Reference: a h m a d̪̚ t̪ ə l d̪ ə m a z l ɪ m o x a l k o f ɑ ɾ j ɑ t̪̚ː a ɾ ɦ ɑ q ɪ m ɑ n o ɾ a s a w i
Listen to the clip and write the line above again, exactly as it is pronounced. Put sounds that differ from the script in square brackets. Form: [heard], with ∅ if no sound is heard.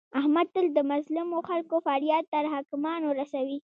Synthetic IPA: a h m a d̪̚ t̪ ə l d̪ ə m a z l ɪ m o x a l k o f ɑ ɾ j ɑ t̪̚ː a ɾ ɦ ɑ [k] ɪ m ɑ n o ɾ a s a w i